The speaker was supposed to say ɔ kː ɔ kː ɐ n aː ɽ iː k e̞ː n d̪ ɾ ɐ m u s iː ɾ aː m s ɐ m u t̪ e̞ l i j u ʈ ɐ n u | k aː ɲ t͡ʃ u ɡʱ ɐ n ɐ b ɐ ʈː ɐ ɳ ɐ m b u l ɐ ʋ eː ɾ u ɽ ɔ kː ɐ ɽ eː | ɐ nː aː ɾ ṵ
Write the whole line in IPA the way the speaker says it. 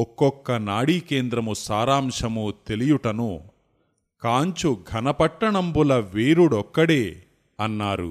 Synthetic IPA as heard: ɔ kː ɔ kː ɐ n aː ɽ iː k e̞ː n d̪ ɾ ɐ m u s aː ɾ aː m ʂ ɐ m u t̪ e̞ l i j u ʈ ɐ n u | k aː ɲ t͡ʃ u ɡʱ ɐ n ɐ p ɐ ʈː ɐ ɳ ɐ m b u l ɐ ʋ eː ɾ u ɽ ɔ kː ɐ ɽ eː | ɐ nː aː ɾ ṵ